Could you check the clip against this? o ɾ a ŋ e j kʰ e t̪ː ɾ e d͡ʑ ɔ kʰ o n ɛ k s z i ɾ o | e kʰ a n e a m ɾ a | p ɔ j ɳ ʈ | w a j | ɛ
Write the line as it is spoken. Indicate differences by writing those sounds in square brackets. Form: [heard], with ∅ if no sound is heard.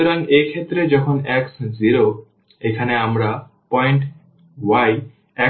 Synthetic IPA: o ɾ a ŋ e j kʰ e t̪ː ɾ e d͡ʑ ɔ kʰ o n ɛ k s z i ɾ o | e kʰ a n e a m ɾ a | p ɔ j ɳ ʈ | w a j | ɛ